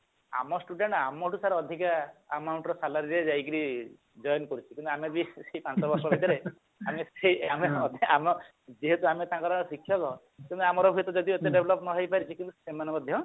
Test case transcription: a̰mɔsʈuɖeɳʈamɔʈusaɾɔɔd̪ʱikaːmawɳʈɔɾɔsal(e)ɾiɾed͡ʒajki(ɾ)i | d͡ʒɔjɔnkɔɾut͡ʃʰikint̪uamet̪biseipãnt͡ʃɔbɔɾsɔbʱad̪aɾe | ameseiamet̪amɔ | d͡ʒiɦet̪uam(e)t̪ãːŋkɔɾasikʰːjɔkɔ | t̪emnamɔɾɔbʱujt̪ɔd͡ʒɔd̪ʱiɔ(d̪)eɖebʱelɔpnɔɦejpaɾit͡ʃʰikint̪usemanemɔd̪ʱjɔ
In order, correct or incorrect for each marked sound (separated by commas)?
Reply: incorrect, correct, correct, incorrect